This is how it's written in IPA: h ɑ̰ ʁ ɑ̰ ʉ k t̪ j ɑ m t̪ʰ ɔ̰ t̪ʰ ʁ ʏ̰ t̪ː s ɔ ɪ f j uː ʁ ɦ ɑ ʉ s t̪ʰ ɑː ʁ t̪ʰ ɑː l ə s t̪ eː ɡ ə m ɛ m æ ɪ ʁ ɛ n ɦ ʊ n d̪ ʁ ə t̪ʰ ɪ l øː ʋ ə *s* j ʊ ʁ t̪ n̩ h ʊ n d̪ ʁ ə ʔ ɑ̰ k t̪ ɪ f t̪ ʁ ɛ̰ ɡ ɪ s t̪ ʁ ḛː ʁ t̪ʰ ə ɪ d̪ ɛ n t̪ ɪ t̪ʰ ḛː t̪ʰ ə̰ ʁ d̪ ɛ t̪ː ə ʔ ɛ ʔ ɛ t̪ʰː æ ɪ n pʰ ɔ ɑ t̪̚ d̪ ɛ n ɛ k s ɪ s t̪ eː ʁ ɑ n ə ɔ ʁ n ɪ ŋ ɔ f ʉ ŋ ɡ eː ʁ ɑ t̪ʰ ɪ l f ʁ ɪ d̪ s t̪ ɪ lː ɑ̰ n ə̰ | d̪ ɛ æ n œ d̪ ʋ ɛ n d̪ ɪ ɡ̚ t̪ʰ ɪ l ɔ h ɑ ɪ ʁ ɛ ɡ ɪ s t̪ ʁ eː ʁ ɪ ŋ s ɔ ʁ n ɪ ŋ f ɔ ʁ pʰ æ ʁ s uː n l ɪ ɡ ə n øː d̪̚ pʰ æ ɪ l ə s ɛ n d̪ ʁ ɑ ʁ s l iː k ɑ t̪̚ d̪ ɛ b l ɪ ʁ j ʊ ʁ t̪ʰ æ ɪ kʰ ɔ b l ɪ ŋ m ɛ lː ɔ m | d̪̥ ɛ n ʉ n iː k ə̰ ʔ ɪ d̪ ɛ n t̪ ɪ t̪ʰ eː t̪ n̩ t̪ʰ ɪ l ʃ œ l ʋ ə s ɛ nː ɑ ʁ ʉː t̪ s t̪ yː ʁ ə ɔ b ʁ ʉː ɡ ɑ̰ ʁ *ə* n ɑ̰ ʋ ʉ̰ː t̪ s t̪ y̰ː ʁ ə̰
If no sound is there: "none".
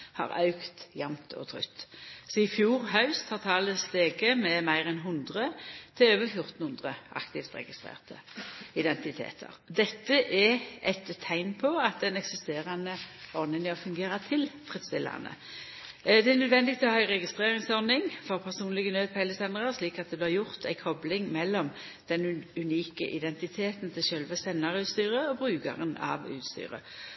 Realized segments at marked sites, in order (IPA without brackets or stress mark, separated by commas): f, ə